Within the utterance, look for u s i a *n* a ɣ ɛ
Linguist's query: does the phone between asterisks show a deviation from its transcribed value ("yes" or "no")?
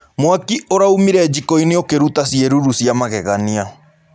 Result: yes